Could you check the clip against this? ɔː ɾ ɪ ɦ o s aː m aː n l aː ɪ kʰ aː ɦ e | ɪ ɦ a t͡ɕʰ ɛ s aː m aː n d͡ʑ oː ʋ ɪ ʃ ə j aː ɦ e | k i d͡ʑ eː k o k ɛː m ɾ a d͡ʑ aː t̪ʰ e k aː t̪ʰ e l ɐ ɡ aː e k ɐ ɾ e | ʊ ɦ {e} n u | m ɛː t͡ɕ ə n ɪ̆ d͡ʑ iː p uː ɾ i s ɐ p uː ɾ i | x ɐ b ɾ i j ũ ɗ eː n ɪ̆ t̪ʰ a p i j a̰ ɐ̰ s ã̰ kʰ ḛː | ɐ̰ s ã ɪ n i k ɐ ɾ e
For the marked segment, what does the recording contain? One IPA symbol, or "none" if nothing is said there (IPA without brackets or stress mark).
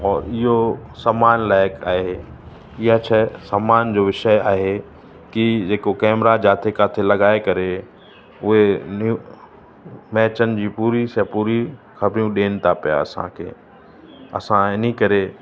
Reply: e